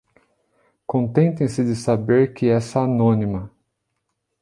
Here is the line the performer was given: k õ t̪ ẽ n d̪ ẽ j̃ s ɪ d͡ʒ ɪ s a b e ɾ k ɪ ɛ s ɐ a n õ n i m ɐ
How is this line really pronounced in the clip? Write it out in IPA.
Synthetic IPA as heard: k õ t̪ ẽ n t̪ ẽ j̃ s ɪ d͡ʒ ɪ s a b e ɾ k ɪ ɛ s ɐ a n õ n i m ɐ